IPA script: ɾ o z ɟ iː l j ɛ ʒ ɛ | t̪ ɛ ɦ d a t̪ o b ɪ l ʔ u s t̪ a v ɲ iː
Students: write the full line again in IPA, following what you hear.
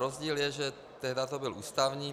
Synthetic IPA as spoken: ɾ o z ɟ iː l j ɛ ʒ ɛ | t̪ ɛ ɦ d a t̪ o b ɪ l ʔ uː s t̪ a v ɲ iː